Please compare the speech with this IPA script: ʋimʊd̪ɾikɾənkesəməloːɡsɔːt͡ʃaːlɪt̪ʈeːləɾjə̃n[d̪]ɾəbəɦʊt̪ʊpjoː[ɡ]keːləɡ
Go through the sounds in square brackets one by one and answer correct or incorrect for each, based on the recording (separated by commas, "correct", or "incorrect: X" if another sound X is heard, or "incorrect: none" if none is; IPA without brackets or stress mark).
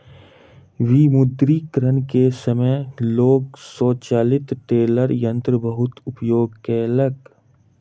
incorrect: t̪, correct